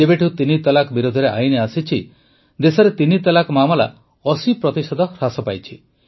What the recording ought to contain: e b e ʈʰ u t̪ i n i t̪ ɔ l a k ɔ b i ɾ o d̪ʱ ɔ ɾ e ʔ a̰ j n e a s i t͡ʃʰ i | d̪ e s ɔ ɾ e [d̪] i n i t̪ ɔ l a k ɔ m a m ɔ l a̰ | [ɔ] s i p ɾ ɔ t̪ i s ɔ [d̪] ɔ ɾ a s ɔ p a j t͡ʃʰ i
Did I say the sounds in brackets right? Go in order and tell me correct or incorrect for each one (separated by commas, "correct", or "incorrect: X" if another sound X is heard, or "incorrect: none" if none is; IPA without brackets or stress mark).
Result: incorrect: t̪, correct, correct